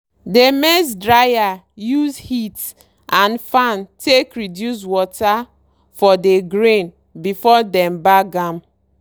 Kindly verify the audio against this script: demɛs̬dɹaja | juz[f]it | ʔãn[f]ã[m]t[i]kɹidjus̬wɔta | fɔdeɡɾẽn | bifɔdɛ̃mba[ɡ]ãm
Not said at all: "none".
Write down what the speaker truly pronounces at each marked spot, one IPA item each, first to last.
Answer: h, f, n, e, ɡ

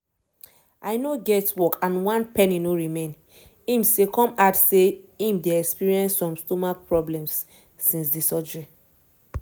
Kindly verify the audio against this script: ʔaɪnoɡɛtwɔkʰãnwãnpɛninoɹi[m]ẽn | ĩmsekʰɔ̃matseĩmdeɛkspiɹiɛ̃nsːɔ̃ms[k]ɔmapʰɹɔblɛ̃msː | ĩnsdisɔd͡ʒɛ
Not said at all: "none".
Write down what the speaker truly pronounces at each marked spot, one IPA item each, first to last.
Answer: m, t

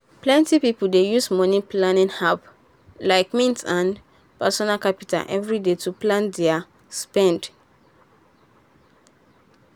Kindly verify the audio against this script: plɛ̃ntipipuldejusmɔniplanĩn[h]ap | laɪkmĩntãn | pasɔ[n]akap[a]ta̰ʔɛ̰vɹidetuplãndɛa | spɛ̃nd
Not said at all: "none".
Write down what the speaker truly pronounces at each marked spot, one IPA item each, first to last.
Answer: h, n, i

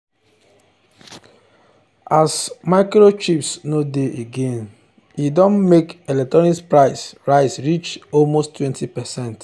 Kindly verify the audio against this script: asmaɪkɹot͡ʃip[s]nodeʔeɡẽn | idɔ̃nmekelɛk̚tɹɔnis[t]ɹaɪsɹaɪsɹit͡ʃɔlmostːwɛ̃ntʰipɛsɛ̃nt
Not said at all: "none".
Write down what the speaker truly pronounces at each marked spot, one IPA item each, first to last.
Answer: s, p

